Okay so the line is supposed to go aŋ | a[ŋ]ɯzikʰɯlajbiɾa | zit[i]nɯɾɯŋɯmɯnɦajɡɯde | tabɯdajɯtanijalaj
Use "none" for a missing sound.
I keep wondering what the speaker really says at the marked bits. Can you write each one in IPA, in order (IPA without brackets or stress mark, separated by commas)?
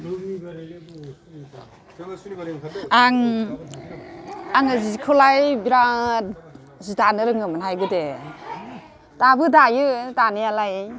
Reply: ŋ, a